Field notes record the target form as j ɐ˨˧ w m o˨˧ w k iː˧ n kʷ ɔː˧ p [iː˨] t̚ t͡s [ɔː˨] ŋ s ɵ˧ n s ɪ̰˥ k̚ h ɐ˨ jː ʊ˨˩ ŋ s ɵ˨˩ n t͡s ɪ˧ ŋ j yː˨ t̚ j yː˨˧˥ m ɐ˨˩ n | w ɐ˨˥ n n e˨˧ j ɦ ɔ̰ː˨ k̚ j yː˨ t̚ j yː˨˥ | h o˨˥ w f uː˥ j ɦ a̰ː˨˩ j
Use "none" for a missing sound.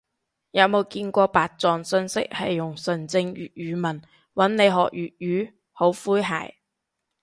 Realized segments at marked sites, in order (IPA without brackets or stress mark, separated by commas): aː˨, ɔː˨